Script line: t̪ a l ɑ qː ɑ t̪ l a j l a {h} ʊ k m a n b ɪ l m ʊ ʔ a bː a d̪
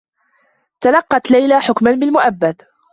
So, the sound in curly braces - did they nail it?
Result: no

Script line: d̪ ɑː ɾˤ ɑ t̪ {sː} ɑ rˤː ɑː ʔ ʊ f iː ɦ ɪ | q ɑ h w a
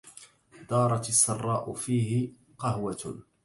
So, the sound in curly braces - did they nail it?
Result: yes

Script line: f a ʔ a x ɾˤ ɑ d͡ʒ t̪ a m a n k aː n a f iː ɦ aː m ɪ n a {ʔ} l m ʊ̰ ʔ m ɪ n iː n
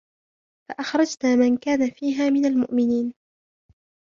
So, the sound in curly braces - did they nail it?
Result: no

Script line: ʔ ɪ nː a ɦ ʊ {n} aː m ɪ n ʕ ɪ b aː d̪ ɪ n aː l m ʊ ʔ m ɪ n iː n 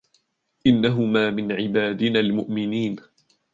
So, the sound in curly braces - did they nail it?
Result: no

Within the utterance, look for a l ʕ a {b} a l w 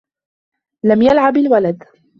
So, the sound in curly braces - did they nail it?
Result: yes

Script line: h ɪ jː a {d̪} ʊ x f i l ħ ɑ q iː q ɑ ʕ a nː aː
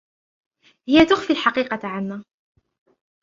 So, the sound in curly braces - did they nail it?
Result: no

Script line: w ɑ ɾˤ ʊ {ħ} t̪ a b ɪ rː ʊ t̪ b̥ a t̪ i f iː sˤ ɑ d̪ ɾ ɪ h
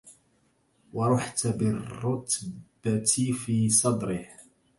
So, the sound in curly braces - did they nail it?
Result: yes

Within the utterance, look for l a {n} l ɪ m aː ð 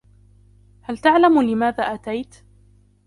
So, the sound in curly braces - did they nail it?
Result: no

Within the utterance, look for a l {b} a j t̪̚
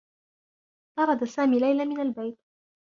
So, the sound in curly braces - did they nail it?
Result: yes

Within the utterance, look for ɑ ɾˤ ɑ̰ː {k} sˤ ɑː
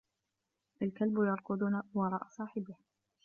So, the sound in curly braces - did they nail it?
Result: no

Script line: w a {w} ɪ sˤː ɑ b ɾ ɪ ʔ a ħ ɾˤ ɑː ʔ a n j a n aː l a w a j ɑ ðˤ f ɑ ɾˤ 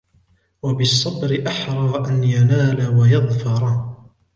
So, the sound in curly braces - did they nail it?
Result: no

